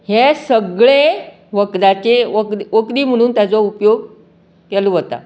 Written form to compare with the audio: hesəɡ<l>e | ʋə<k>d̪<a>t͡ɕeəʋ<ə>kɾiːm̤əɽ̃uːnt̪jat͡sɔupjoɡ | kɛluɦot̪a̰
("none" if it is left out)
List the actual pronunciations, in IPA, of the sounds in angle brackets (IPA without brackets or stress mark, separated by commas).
ɭ, k, a, ə